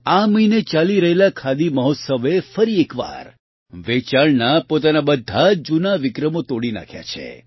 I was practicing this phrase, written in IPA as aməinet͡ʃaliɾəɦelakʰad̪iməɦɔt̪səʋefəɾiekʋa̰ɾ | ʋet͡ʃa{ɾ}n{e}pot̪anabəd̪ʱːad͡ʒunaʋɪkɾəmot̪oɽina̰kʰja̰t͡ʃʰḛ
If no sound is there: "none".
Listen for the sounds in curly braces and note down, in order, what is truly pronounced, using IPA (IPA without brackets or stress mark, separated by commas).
ɭ, a